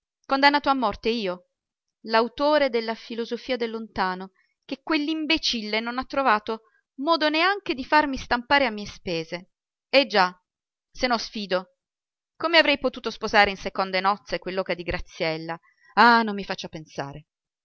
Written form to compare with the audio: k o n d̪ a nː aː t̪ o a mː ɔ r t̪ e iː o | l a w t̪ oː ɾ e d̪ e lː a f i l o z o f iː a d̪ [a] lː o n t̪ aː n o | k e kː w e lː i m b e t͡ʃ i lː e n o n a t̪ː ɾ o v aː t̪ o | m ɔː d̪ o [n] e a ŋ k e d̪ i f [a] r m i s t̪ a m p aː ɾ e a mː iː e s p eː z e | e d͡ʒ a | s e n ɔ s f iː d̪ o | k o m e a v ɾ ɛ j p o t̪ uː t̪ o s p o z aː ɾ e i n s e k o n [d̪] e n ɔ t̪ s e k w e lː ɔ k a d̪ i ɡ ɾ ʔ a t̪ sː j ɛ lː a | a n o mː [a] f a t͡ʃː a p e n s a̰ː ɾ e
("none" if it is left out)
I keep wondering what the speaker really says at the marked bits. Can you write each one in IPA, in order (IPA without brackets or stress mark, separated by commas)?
e, n, a, d̪, i